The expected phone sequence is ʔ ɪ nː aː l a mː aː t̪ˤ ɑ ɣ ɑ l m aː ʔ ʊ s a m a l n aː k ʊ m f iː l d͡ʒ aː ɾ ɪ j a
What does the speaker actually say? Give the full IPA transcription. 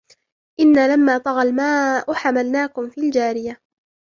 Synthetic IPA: ʔ ɪ nː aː l a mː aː t̪ˤ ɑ ɣ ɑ l m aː ʔ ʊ ħ a m a l n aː k ʊ m f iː l d͡ʒ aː ɾ ɪ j a

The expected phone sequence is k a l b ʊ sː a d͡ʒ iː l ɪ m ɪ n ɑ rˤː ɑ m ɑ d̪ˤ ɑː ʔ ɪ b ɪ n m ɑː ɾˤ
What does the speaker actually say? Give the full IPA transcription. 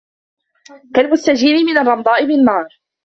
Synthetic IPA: k a l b ʊ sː a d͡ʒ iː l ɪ m ɪ n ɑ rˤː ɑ m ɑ d̪ˤ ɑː ʔ ɪ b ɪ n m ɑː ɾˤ

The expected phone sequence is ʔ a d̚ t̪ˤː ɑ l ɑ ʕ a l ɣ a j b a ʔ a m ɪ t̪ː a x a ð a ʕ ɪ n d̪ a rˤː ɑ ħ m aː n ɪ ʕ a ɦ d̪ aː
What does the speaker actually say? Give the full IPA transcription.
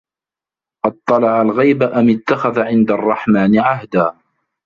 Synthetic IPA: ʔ ɑ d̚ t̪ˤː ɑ l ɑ ʕ a l ɣ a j b a ʔ a m ɪ t̪ː a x a ð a ʕ ɪ n d̪ a rˤː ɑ ħ m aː n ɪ ʕ a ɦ d̪ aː

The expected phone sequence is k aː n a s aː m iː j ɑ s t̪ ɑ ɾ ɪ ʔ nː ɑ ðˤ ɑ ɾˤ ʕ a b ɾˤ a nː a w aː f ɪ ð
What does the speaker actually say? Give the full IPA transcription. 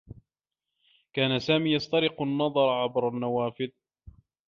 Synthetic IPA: k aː n a s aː m iː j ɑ s t̪ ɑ ɾ ɪ q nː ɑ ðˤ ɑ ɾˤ ʕ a b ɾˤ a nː a w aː f ɪ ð

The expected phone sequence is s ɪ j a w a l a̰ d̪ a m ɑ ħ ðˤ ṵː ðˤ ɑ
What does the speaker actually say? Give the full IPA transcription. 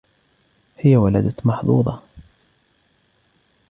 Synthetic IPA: h ɪ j a w a l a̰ d̪ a m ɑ ħ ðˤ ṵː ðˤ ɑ

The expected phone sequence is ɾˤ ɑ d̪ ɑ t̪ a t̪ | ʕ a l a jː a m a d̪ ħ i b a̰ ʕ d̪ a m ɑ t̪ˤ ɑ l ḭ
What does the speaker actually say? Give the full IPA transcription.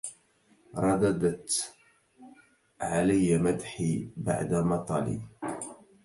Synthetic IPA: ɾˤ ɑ d̪ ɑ d̪ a t̪ | ʕ a l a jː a m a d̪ ħ i b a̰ ʕ d̪ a m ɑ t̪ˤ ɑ l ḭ

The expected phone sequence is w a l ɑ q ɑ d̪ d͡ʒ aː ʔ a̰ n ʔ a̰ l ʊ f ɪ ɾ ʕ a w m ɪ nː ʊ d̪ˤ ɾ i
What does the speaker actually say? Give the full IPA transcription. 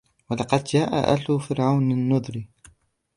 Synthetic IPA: w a l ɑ q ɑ d̪ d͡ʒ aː ʔ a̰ ʔ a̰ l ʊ f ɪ ɾ ʕ a w n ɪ nː ʊ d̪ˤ ɾ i

